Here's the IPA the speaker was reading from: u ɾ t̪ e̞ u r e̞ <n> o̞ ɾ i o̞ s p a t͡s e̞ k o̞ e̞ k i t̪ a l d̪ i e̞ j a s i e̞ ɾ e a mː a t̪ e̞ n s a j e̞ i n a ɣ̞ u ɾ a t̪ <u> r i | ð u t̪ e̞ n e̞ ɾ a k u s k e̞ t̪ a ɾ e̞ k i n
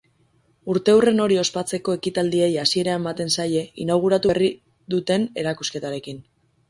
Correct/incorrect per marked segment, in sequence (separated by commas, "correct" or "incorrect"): correct, correct